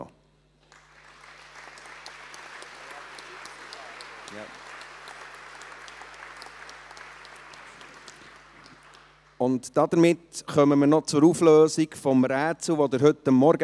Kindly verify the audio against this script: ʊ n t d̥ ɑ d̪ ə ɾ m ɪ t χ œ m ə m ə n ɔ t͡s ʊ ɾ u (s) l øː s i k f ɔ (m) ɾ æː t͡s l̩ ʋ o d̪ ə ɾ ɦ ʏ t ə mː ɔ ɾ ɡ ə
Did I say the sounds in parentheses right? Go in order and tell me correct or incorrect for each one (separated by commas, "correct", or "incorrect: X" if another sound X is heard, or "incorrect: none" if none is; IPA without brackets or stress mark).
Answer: incorrect: f, correct